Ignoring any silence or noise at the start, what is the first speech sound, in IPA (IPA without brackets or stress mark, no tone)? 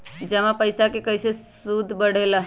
d͡ʒ